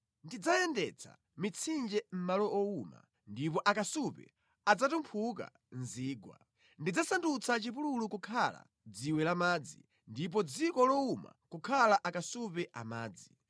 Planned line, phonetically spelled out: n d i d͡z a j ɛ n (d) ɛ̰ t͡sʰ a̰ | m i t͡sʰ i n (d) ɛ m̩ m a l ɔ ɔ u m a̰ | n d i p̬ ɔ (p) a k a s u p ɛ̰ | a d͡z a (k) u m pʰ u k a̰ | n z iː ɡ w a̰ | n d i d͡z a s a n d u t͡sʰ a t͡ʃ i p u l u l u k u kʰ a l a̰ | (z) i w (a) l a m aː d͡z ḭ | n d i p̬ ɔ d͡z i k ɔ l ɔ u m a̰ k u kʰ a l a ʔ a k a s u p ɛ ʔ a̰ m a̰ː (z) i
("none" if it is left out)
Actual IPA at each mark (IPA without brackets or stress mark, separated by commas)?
d, d͡ʒ, ʔ, t, d͡z, ɛ, d͡z